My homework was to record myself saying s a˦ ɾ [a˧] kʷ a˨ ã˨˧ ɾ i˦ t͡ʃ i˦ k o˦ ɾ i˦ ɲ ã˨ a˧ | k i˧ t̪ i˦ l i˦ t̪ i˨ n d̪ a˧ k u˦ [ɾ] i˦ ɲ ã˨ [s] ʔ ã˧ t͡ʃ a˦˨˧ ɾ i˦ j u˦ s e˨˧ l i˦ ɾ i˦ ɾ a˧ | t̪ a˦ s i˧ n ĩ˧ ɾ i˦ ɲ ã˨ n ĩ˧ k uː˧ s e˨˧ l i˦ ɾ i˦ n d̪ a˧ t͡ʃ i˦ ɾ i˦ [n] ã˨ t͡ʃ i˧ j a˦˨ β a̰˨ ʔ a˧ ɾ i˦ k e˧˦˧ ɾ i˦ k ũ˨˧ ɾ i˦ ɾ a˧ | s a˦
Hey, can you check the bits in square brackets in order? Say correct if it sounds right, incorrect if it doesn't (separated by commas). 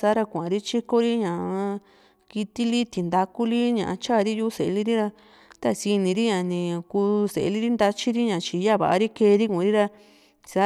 correct, incorrect, incorrect, incorrect